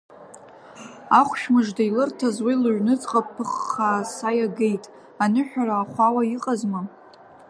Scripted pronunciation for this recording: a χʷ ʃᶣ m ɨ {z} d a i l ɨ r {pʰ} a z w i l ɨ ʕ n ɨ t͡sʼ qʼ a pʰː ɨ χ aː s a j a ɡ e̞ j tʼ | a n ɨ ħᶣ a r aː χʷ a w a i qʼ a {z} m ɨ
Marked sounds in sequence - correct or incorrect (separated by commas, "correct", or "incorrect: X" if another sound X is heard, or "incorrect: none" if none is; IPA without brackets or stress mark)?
incorrect: ʐ, incorrect: tʰ, correct